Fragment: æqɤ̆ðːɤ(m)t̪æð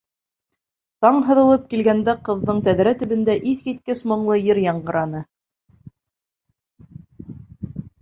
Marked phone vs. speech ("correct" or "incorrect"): incorrect